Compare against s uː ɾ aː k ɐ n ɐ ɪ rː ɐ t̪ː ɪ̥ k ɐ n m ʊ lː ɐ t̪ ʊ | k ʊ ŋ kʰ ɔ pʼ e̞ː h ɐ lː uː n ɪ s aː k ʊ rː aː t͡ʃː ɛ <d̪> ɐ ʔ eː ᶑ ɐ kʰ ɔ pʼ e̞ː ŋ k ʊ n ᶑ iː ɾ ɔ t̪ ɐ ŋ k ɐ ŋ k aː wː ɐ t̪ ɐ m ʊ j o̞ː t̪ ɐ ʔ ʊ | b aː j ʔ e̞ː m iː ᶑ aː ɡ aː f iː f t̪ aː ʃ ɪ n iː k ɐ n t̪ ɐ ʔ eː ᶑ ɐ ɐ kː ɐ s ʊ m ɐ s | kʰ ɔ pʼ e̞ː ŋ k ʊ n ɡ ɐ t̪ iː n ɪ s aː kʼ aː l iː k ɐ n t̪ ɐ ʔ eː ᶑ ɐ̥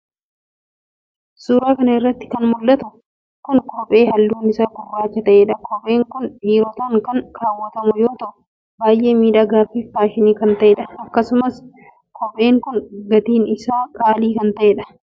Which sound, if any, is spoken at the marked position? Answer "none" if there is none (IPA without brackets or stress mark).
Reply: t̪